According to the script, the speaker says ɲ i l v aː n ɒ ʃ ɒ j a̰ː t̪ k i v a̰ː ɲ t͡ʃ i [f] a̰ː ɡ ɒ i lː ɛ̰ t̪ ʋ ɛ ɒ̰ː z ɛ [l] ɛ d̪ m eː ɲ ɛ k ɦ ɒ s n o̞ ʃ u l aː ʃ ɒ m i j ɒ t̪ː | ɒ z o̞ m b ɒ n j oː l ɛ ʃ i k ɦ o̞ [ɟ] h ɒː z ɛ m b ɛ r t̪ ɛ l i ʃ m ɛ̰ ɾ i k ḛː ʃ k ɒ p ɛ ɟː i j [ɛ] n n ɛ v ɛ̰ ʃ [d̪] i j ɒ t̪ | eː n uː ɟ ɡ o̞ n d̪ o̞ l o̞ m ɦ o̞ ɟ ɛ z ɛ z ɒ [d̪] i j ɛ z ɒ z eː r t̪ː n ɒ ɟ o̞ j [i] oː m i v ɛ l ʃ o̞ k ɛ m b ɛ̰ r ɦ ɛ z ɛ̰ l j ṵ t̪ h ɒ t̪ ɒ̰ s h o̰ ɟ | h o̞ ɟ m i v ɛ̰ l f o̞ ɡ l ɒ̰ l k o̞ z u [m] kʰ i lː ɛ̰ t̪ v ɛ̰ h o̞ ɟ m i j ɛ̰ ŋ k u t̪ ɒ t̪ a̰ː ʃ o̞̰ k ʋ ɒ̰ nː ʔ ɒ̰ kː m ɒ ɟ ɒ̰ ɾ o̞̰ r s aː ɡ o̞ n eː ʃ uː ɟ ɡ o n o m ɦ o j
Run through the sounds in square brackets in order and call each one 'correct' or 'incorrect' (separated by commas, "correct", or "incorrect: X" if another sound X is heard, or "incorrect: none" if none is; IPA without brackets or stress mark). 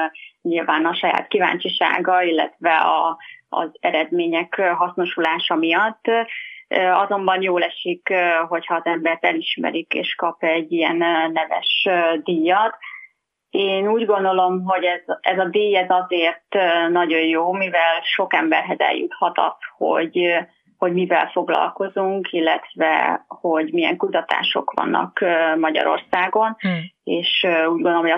incorrect: ʃ, incorrect: ɾ, incorrect: c, correct, correct, correct, incorrect: j, incorrect: ŋ